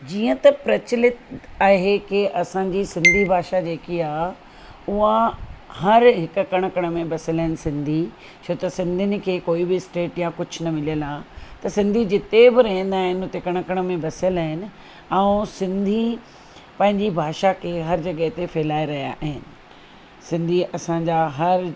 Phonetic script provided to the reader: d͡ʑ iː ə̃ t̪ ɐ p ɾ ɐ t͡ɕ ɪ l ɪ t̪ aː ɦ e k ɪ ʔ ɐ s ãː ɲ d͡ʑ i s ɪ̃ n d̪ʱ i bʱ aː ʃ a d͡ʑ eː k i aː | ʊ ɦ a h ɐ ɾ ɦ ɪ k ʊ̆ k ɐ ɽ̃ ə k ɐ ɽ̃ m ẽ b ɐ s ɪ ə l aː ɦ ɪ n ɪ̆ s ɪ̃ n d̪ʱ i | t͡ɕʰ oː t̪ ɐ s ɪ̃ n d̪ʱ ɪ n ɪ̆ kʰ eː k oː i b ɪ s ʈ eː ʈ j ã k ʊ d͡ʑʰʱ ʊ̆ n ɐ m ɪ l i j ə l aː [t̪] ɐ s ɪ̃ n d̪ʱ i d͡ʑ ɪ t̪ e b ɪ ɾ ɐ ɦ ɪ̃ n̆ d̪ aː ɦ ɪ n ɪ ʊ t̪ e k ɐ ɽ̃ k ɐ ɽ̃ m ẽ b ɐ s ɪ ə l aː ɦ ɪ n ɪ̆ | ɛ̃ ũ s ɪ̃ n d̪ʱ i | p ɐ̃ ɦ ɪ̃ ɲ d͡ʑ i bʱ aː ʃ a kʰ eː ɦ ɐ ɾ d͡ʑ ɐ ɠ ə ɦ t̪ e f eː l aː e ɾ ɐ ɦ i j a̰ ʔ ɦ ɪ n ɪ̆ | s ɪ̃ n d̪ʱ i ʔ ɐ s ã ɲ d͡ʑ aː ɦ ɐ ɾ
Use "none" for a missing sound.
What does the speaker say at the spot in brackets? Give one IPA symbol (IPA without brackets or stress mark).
t̪